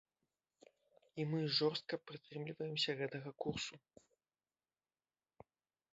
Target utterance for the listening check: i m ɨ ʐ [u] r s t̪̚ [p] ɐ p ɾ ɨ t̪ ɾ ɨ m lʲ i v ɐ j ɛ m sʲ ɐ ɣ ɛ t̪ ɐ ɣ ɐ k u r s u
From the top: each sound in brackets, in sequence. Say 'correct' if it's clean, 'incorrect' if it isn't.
incorrect: ɔ, incorrect: k

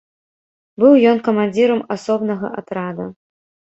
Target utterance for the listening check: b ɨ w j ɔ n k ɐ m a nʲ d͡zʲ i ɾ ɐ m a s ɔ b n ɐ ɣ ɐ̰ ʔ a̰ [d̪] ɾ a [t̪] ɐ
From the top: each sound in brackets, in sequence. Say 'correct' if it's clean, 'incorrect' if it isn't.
incorrect: t̪, incorrect: d̪

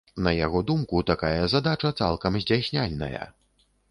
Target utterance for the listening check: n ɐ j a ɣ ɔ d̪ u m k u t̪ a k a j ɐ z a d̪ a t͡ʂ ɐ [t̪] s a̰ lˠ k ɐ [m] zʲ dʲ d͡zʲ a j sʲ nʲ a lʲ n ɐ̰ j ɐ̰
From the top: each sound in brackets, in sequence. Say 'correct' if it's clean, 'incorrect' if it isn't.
correct, correct

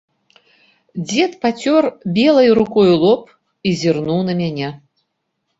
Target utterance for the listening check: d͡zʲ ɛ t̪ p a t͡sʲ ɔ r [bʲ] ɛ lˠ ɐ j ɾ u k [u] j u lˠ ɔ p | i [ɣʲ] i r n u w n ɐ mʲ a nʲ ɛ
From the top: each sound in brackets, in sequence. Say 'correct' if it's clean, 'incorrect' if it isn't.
correct, incorrect: ɔ, incorrect: zʲ

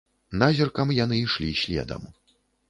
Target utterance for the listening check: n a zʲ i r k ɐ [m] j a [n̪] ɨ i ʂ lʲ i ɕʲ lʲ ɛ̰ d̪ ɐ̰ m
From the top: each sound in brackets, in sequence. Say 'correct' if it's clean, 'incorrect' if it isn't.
correct, correct

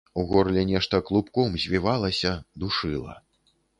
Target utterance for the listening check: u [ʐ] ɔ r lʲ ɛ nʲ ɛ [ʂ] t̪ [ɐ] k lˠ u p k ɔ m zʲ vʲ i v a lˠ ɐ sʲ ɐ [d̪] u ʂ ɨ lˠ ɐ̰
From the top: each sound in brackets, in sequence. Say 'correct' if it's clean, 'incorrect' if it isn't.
incorrect: ɣ, correct, correct, correct

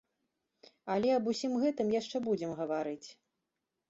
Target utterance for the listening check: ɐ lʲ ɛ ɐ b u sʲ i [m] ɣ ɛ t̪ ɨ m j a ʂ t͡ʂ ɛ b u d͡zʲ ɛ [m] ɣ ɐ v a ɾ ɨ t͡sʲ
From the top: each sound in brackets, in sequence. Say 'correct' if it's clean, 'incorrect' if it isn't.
correct, correct

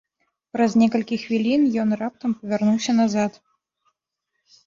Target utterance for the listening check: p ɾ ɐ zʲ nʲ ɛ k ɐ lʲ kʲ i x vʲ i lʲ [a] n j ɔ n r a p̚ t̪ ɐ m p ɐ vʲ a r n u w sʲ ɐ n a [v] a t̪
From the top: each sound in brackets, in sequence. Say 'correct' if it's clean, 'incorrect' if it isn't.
incorrect: i, incorrect: z

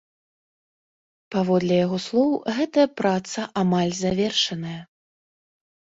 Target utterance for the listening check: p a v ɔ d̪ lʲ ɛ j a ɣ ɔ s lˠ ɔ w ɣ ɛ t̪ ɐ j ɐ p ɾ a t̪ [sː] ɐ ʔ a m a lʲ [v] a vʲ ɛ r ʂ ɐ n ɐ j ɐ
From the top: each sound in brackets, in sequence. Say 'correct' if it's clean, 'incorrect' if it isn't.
incorrect: s, incorrect: z

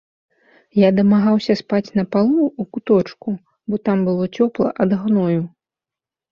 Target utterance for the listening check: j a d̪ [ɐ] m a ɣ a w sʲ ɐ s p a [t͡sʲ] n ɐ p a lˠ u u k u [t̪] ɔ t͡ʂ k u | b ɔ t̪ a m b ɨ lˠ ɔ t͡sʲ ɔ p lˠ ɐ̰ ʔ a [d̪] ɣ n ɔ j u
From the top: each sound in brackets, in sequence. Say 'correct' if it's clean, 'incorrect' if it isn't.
correct, correct, correct, correct

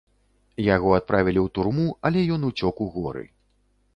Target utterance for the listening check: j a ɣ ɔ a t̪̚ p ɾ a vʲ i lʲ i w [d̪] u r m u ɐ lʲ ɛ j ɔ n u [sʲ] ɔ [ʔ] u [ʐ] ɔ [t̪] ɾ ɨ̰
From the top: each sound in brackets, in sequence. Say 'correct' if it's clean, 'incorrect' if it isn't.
incorrect: t̪, incorrect: t͡sʲ, incorrect: k, incorrect: ɣ, incorrect: none

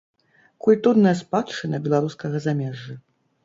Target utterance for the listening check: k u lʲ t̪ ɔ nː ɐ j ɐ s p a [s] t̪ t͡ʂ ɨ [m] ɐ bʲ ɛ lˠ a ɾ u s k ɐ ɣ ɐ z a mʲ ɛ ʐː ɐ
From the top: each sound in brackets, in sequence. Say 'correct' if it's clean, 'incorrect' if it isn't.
incorrect: none, incorrect: n

